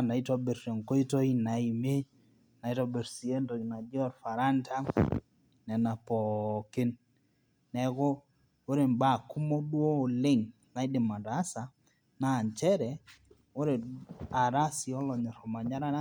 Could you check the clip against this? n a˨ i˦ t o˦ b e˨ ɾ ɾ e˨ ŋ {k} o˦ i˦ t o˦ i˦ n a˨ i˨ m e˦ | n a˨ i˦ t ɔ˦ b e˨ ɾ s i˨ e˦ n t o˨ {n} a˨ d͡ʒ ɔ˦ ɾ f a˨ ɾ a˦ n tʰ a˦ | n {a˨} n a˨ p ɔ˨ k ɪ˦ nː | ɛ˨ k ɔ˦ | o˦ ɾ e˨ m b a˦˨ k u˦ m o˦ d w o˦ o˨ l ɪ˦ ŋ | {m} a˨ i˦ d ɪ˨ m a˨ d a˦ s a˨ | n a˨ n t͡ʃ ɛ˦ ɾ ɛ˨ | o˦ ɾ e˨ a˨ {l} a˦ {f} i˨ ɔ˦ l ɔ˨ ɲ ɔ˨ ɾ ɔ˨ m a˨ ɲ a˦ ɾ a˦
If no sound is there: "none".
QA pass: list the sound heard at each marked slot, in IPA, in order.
k, n, ɛ˨, n, ɾ, s

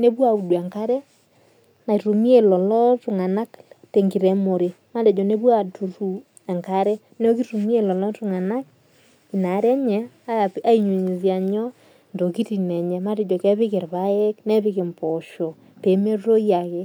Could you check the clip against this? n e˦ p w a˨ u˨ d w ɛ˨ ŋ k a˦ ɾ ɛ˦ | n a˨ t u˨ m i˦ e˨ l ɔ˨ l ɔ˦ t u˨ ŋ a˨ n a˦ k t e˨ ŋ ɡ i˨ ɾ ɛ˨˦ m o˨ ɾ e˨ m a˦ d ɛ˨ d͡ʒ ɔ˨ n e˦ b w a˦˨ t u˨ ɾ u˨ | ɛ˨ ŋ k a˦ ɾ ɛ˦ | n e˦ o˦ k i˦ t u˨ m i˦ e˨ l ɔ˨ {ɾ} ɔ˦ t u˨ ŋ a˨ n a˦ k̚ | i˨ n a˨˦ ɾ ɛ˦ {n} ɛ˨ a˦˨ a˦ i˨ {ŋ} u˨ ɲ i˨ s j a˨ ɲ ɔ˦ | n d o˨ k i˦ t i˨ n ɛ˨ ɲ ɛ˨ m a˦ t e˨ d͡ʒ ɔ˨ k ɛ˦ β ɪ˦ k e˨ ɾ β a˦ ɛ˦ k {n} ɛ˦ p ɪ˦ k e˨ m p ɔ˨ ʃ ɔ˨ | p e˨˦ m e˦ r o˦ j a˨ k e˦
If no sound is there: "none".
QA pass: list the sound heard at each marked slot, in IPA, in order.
l, ɲ, ɲ, n

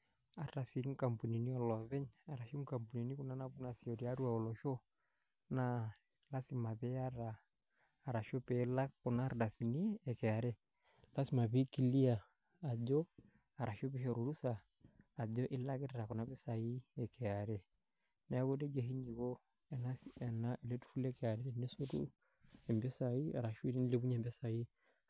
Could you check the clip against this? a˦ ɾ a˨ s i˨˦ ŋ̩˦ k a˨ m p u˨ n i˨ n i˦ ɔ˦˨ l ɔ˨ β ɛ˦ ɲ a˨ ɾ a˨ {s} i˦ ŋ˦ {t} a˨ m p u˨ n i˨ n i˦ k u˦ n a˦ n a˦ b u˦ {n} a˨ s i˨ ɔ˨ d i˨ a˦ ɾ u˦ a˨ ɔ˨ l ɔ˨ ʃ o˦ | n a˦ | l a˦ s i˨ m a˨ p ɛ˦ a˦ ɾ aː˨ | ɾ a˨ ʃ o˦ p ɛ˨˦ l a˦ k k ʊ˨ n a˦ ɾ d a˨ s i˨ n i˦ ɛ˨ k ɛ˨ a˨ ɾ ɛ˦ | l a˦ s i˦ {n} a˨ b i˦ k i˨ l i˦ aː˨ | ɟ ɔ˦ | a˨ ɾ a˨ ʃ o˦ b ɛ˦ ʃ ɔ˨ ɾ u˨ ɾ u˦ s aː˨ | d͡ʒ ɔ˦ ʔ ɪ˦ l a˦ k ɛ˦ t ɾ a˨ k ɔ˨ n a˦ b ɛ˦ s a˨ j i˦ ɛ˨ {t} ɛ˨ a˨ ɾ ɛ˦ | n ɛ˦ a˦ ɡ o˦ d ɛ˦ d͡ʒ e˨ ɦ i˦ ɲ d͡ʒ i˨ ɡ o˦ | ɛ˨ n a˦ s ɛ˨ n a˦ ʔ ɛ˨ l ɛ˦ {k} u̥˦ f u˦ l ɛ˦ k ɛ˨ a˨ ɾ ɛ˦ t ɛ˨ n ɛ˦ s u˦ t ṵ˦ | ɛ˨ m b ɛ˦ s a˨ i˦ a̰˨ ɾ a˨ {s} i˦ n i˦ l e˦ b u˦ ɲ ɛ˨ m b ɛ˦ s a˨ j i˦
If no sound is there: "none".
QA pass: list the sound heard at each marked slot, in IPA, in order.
ʃ, k, n, m, k, t, ʃ

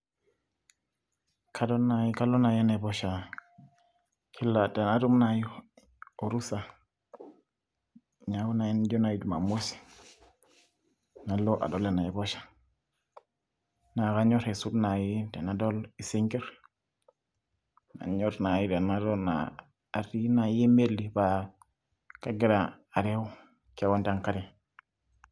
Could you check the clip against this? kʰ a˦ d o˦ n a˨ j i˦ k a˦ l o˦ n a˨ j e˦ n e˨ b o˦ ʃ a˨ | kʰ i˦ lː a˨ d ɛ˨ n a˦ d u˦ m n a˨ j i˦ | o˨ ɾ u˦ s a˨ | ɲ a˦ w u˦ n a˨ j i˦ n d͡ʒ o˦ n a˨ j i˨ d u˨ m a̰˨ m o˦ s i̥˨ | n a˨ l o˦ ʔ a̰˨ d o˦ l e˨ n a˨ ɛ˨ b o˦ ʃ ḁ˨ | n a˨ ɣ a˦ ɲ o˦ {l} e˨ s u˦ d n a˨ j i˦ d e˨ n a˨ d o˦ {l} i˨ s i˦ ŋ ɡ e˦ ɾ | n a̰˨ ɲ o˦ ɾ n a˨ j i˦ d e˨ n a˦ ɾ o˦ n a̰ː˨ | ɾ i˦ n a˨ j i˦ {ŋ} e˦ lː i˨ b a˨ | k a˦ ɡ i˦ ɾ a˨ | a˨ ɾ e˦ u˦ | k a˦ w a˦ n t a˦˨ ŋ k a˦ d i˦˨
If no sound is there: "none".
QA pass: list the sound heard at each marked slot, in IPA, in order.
ɾ, l, m

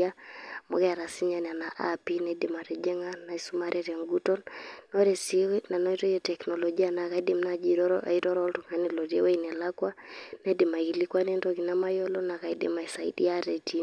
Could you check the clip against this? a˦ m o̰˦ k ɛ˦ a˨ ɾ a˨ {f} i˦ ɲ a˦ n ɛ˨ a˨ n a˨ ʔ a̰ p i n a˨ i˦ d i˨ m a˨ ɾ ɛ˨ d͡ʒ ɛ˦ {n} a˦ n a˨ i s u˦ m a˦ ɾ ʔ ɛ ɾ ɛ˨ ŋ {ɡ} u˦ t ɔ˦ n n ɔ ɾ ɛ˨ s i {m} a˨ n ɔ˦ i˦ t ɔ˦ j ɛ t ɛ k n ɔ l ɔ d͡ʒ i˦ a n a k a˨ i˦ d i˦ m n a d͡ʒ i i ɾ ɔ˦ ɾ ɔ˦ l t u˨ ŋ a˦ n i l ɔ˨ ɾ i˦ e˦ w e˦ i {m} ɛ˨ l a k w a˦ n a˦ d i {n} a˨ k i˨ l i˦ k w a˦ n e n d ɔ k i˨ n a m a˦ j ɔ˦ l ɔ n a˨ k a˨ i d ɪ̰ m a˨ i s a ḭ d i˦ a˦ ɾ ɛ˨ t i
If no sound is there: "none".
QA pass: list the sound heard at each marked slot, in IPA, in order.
s, ŋ, ɡ, n, n, m

